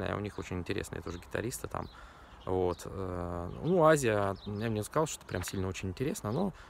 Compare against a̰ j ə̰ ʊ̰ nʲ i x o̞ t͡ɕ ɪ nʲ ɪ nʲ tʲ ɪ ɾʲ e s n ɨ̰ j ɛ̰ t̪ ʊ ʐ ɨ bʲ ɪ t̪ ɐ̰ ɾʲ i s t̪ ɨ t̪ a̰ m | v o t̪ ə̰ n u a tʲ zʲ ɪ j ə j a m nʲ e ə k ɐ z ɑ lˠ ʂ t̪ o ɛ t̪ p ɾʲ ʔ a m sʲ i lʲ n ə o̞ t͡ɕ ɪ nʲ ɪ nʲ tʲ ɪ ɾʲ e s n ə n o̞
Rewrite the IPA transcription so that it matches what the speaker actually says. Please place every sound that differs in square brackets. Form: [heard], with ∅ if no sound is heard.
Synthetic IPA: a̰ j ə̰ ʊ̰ nʲ i x o̞ t͡ɕ ɪ nʲ ɪ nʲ tʲ ɪ ɾʲ e s n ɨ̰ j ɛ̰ t̪ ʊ ʐ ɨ [ɡʲ] ɪ t̪ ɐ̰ ɾʲ i s t̪ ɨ t̪ a̰ m | v o t̪ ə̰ n u a [∅] zʲ ɪ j ə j a m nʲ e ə k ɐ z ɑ lˠ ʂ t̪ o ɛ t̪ p ɾʲ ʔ a m sʲ i lʲ n ə o̞ t͡ɕ ɪ nʲ ɪ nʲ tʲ ɪ ɾʲ e s n ə n o̞